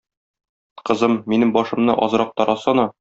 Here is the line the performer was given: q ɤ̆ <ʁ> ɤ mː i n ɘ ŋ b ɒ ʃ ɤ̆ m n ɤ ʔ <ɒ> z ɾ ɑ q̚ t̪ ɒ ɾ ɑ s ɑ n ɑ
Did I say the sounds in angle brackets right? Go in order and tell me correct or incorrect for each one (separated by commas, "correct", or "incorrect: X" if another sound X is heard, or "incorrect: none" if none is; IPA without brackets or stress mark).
incorrect: z, correct